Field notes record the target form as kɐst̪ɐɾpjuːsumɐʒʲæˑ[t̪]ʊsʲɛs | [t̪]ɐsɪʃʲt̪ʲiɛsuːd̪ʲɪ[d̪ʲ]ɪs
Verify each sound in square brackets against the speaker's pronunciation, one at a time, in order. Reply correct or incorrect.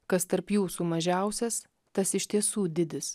incorrect: none, correct, correct

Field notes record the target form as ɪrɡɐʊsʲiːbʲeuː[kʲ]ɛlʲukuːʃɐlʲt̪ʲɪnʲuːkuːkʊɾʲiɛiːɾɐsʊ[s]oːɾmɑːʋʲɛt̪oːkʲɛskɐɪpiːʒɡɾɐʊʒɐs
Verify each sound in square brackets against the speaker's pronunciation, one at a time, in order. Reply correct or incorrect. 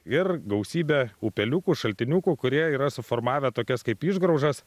incorrect: pʲ, incorrect: f

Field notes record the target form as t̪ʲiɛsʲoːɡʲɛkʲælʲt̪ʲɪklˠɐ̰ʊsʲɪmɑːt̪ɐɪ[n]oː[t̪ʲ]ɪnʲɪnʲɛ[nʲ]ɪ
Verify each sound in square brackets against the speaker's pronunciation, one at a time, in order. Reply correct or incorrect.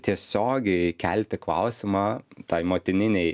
incorrect: m, correct, incorrect: none

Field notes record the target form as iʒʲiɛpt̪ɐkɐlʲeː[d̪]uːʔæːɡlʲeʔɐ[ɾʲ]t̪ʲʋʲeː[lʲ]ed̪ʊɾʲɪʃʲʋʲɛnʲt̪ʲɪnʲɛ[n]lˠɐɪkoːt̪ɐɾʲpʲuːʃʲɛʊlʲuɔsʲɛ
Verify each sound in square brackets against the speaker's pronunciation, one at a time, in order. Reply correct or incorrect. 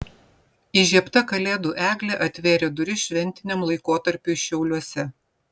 correct, incorrect: none, incorrect: ɾʲ, incorrect: m

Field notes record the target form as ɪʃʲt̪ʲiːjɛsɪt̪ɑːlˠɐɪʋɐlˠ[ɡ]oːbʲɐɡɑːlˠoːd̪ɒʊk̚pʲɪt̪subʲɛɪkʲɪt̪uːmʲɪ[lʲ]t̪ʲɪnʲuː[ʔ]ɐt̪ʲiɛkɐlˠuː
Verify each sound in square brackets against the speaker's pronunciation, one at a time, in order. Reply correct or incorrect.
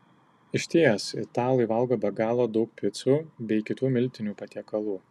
correct, correct, incorrect: p

